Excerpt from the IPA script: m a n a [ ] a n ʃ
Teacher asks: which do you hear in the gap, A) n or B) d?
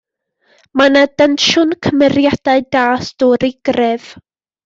B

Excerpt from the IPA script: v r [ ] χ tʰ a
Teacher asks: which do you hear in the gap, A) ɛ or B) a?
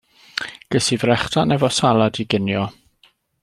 A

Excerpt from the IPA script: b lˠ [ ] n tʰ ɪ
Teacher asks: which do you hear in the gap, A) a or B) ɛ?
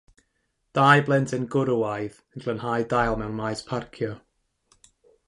B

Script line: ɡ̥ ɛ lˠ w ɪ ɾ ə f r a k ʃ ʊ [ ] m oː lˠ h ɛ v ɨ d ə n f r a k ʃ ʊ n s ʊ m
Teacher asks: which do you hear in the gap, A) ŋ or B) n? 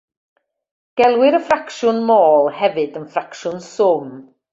B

